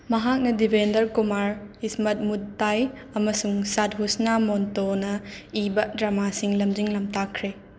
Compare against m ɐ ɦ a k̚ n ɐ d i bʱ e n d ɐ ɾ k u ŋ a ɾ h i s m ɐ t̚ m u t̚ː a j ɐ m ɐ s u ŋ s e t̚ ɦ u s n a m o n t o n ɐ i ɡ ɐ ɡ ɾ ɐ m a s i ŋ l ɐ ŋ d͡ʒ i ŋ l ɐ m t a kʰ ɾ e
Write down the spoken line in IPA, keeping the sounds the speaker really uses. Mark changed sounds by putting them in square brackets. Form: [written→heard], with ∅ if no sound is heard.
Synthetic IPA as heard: m ɐ ɦ a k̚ n ɐ d i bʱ e n d ɐ ɾ k u [ŋ→m] a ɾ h i s m ɐ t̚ m u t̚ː a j ɐ m ɐ s u ŋ s [e→a] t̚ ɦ u s n a m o n t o n ɐ i [ɡ→b] ɐ [ɡ→d] ɾ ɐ m a s i ŋ l ɐ [ŋ→m] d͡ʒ i ŋ l ɐ m t a kʰ ɾ e